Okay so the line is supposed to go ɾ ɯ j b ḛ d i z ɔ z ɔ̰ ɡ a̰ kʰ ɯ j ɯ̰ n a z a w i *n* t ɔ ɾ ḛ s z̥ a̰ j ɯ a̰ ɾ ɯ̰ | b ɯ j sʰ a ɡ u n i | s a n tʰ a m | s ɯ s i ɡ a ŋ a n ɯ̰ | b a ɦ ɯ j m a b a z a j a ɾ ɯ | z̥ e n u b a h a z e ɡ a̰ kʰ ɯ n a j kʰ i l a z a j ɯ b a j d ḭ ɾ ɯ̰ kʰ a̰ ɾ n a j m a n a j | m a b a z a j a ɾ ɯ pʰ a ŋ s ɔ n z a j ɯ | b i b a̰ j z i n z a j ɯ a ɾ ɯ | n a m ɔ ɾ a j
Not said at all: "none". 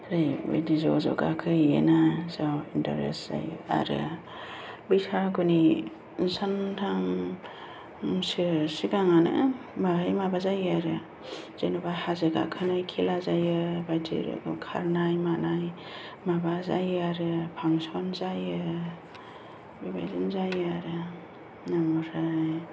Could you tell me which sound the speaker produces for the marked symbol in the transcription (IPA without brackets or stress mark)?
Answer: n